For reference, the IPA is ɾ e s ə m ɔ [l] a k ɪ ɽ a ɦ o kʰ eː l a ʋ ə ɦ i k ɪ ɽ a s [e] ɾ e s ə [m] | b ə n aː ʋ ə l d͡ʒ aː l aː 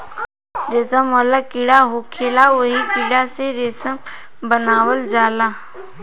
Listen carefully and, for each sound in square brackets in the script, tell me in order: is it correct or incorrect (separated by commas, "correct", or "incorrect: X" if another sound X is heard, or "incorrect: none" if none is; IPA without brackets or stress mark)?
correct, correct, correct